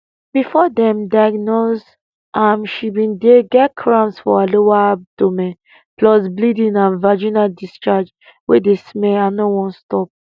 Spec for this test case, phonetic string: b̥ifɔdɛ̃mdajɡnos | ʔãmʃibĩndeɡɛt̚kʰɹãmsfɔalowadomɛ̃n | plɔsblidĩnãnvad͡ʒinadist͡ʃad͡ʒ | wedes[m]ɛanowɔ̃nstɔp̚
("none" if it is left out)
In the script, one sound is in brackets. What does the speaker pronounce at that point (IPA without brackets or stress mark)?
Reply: m